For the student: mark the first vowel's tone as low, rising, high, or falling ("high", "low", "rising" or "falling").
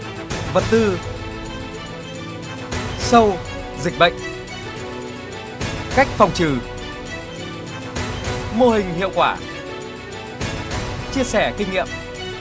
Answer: low